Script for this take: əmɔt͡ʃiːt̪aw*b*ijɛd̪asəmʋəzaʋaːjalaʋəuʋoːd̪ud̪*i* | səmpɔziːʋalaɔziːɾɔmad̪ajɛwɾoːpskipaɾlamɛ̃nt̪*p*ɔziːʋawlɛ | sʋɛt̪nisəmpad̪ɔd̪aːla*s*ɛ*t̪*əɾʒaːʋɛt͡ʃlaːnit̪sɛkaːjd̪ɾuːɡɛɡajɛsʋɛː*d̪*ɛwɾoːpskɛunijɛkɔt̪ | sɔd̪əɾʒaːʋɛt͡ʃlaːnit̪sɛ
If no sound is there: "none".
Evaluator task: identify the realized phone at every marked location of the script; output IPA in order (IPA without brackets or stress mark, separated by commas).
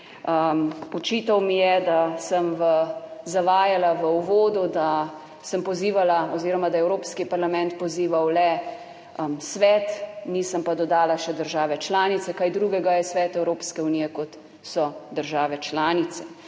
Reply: m, a, p, ʃ, d̪, t̪